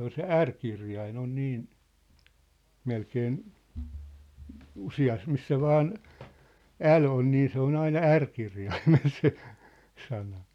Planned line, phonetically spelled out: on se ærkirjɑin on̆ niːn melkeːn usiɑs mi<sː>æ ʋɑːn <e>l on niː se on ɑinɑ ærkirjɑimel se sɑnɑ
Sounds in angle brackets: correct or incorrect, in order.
correct, incorrect: æ

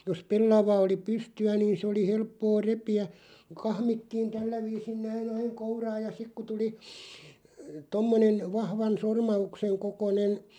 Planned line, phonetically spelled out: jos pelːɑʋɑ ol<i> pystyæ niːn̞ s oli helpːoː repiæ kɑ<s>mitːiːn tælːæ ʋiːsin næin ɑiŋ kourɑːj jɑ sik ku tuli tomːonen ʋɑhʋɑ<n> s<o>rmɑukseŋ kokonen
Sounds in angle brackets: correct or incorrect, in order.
correct, incorrect: h, correct, correct

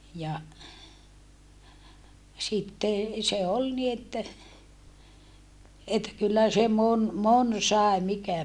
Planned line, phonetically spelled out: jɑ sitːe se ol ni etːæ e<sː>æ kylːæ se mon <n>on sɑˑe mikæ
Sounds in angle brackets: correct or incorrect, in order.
incorrect: tː, incorrect: m

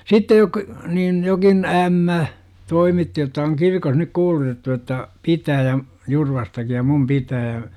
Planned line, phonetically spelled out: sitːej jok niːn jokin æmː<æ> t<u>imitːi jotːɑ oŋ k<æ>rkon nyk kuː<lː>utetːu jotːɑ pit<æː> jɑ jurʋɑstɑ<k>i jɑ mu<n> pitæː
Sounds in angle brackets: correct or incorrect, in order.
correct, incorrect: o, incorrect: i, incorrect: l, correct, correct, incorrect: m

